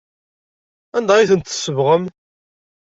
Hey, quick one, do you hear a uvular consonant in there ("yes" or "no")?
yes